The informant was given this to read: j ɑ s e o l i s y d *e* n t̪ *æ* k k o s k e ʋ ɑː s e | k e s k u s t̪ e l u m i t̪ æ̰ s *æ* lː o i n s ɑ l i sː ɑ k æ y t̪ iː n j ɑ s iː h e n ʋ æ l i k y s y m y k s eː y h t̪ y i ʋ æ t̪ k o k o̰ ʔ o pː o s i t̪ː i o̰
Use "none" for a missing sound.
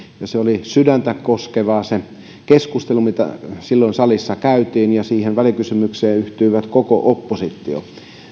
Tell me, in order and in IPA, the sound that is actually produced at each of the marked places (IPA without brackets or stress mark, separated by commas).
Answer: æ, æ, i